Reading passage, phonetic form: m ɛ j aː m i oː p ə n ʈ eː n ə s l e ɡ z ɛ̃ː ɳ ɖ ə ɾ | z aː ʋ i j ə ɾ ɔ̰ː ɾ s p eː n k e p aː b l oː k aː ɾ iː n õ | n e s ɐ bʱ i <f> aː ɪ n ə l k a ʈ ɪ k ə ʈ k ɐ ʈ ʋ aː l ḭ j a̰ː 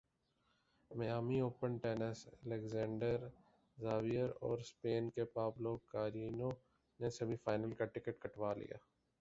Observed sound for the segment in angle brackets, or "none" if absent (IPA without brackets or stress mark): f